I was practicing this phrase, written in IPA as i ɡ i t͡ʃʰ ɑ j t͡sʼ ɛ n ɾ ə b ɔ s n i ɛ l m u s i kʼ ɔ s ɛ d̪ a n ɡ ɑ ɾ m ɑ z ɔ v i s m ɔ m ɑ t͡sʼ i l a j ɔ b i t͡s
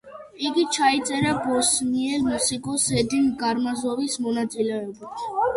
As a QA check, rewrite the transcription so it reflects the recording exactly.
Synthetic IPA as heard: i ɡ i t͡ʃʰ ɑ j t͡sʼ ɛ ɾ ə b ɔ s n i ɛ l m u s i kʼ ɔ s ɛ d̪ i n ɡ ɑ ɾ m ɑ z ɔ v i s m ɔ n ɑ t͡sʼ i l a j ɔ b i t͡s